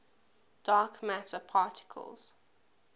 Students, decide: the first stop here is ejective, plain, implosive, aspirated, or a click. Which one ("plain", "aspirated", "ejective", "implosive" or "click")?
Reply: plain